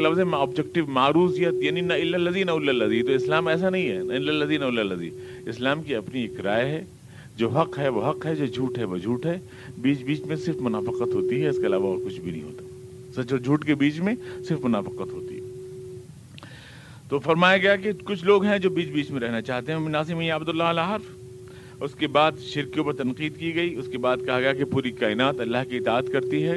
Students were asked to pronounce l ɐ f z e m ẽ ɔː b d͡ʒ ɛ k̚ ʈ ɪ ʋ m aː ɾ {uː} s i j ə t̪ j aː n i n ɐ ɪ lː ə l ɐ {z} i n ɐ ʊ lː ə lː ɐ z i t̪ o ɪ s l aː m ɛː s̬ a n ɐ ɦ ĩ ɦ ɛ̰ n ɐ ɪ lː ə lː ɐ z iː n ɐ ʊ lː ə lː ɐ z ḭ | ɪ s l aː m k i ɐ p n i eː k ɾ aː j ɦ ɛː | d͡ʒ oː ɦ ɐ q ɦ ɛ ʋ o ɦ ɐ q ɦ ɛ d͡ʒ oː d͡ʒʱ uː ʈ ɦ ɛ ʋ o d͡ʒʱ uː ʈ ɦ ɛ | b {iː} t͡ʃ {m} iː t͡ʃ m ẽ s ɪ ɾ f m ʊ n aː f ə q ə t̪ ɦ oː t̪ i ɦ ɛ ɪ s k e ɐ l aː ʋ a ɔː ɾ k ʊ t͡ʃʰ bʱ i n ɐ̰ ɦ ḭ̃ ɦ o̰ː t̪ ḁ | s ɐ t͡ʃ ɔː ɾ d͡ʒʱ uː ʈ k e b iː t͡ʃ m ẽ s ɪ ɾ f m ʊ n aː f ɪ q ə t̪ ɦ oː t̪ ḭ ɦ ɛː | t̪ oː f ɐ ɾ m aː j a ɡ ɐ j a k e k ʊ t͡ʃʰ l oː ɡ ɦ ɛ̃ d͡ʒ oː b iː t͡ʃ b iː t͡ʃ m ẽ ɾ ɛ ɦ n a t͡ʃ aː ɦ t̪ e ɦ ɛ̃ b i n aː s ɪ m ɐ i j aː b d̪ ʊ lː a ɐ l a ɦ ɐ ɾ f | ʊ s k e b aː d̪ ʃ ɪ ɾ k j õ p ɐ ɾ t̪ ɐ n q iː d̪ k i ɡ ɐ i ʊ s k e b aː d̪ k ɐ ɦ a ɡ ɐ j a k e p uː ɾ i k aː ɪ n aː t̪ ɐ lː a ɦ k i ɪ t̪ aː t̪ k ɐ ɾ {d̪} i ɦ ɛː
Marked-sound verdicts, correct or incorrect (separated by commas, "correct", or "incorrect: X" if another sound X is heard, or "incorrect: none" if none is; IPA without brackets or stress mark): correct, correct, correct, incorrect: b, incorrect: t̪